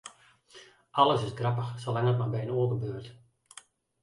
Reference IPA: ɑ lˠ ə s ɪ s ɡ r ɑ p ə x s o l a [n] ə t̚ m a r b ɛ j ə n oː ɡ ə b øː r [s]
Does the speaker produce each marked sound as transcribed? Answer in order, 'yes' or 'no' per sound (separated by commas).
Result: no, no